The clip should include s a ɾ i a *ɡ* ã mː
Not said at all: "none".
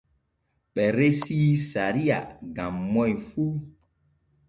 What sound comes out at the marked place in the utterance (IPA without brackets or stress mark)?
ɡ